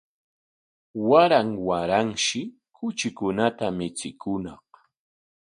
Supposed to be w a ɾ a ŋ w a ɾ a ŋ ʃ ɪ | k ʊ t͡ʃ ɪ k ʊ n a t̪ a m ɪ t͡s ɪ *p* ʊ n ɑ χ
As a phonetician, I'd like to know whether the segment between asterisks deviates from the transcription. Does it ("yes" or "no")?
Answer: yes